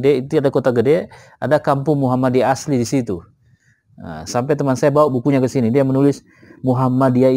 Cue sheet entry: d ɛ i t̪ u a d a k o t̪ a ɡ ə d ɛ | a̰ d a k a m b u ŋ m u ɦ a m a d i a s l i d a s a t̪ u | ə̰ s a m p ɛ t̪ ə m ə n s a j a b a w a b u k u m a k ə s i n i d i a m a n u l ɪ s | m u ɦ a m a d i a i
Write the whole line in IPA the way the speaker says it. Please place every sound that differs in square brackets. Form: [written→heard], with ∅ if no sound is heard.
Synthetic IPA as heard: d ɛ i t̪ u a d a k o t̪ a ɡ ə d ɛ | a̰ d a k a m [b→p] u ŋ m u ɦ a m a d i a s l i d [a→i] s [a→i] t̪ u | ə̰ s a m p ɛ t̪ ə m [ə→a] n s a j a b a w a b u k u [m→ɲ] a k ə s i n i d i a m [a→ə] n u l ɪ s | m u ɦ a m a d i a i

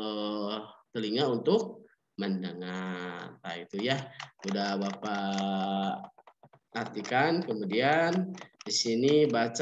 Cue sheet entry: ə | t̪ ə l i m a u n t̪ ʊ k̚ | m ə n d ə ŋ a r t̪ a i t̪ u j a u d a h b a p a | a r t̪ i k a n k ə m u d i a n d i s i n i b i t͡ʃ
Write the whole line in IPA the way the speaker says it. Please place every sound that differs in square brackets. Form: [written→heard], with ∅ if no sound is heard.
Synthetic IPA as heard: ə | t̪ ə l i [m→ŋ] a u n t̪ ʊ k̚ | m ə n d ə ŋ a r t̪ a i t̪ u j a u d a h b a p a | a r t̪ i k a n k ə m u d i a n d i s i n i b [i→a] t͡ʃ

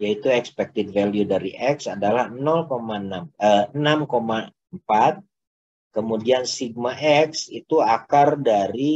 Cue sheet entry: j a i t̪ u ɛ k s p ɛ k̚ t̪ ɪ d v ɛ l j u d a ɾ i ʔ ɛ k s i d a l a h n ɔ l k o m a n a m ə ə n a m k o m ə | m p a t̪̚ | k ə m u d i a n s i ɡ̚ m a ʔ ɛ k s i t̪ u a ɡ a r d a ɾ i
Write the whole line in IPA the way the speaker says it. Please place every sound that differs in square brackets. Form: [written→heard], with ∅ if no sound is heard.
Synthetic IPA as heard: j a i t̪ u ɛ k s p ɛ k̚ t̪ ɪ d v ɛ l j u d a ɾ i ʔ ɛ k s [i→a] d a l a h n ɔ l k o m a n a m ə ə n a m k o m [ə→a] | m p a t̪̚ | k ə m u d i a n s i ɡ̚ m a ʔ ɛ k s i t̪ u a [ɡ→k] a r d a ɾ i

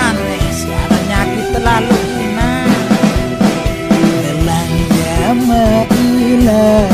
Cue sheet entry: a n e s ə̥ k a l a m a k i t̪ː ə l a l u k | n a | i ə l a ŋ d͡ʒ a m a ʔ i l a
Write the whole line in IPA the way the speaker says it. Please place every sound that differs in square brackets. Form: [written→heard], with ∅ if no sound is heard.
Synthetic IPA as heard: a n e s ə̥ k a [l→ɾ] a [m→ɲ] a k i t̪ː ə l a l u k | n a | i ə l a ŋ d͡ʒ a m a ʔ i l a

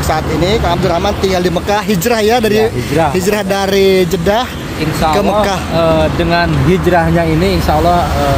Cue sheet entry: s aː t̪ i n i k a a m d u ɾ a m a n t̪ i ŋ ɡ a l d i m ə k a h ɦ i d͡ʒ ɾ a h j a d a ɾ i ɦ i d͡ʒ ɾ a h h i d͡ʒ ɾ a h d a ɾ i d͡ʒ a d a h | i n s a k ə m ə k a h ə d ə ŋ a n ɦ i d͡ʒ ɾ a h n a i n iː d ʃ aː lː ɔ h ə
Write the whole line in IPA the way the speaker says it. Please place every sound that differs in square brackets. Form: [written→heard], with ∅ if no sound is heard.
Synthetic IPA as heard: s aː t̪ i n i k a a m d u ɾ a m a n t̪ i ŋ ɡ a l d i m ə k a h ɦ i d͡ʒ ɾ a h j a d a ɾ i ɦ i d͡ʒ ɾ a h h i d͡ʒ ɾ a h d a ɾ i d͡ʒ [a→ə] d a h | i n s a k ə m ə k a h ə d ə ŋ a n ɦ i d͡ʒ ɾ a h [n→ɲ] a i n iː [d→n] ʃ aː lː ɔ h ə

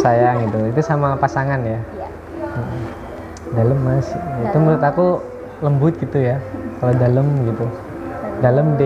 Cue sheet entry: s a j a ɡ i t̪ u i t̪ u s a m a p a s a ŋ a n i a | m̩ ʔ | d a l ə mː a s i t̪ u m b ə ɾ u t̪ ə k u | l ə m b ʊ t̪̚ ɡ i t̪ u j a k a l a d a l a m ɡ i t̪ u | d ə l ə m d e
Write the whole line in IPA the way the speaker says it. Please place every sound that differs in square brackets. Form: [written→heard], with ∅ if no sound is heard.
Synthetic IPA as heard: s a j a ɡ i t̪ u i t̪ u s a m a p a s a ŋ a n [i→j] a | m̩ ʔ | d a l ə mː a s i t̪ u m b ə ɾ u t̪ [ə→a] k u | l ə m b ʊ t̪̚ ɡ i t̪ u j a k a l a d a l [a→ə] m ɡ i t̪ u | d [ə→a] l ə m d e

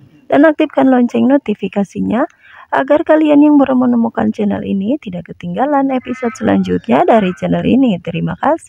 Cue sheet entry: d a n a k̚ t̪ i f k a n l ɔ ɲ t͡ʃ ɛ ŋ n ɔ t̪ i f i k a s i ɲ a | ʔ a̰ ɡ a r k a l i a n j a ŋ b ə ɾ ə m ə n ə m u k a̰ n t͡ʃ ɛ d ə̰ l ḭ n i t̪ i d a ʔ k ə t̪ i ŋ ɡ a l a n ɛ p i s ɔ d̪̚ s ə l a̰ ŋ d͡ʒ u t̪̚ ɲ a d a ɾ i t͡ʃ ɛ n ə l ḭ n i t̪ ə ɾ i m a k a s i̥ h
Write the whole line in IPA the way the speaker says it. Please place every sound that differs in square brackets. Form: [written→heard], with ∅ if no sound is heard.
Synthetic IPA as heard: d a n a k̚ t̪ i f k a n l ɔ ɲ t͡ʃ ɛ ŋ n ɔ t̪ i f i k a s i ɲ a | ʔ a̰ ɡ a r k a l i a n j a ŋ b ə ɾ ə m ə n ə m u k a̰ n t͡ʃ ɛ [d→n] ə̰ l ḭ n i t̪ i d a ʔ k ə t̪ i ŋ ɡ a l a n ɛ p i s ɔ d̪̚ s ə l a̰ [ŋ→ɲ] d͡ʒ u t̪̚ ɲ a d a ɾ i t͡ʃ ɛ n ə l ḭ n i t̪ ə ɾ i m a k a s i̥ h

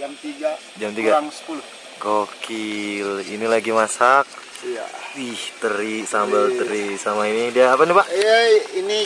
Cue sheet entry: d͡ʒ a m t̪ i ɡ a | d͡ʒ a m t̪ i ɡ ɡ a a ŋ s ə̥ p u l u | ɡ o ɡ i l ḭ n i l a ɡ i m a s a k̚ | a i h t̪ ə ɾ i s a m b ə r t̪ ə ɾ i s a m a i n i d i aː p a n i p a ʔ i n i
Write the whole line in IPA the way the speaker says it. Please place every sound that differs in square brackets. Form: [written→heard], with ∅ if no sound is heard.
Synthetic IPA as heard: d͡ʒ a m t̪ i ɡ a | d͡ʒ a m t̪ i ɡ ɡ a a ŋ s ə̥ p u l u | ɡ o [ɡ→k] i l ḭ n i l a ɡ i m a s a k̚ | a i h t̪ ə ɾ i s a m b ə [r→l] t̪ ə ɾ i s a m a i n i d i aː p a n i p a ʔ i n i

